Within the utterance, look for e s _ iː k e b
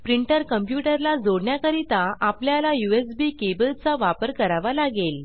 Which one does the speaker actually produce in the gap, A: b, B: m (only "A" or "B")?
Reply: A